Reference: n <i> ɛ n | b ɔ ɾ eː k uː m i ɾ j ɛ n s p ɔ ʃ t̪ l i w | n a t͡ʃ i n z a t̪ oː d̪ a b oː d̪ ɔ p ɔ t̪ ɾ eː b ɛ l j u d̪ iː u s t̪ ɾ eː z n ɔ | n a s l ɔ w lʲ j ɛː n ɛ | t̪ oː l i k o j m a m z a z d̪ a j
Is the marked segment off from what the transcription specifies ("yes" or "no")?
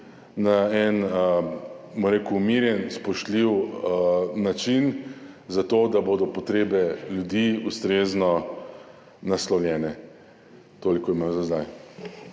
yes